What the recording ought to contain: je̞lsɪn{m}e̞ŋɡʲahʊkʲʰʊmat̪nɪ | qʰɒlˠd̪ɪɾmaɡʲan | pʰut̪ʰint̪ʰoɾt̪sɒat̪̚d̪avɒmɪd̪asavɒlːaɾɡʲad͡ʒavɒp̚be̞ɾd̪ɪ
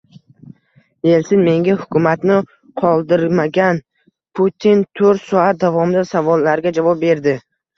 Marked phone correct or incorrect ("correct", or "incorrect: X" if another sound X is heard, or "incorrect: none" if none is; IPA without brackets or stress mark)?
correct